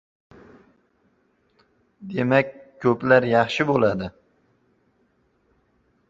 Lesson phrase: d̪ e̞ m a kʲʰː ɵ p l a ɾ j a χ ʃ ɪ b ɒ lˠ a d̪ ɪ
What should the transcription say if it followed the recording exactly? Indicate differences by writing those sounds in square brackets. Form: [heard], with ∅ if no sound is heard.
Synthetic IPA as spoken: d̪ e̞ m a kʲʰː ɵ p l a ɾ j [ɑ] χ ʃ ɪ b [o] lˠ a d̪ ɪ